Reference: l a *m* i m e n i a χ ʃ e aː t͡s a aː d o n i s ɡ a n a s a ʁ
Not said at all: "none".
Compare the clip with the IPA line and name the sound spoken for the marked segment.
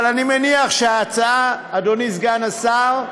n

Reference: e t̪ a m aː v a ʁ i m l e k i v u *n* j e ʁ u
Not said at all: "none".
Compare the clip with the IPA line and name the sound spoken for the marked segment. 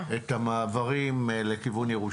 n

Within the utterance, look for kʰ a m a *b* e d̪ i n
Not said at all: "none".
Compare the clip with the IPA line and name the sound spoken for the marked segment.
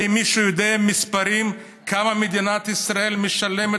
m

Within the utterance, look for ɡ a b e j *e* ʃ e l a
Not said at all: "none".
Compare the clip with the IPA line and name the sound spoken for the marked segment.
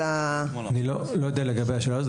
a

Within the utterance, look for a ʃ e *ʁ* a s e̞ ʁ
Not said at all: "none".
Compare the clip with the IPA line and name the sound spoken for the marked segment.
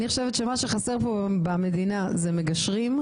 χ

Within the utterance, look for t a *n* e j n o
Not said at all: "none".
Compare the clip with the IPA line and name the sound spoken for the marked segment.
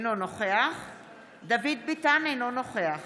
n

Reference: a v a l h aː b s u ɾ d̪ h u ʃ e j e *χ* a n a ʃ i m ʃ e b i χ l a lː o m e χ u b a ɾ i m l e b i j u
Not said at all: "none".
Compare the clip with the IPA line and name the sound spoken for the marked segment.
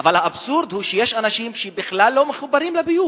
ʃ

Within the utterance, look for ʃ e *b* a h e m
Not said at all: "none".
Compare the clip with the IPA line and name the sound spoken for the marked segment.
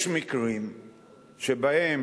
b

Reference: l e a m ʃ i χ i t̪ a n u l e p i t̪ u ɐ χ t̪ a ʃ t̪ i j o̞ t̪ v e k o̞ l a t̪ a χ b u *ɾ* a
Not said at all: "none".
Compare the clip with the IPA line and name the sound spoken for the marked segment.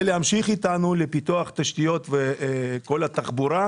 ɾ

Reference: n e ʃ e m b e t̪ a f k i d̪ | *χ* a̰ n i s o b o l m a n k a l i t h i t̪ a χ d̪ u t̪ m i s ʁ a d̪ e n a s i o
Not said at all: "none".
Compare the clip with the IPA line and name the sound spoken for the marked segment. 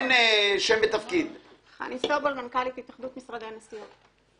χ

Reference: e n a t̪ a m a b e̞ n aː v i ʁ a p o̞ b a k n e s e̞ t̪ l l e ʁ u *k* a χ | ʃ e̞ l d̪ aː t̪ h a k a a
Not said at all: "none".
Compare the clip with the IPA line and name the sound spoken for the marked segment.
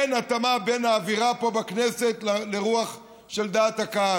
none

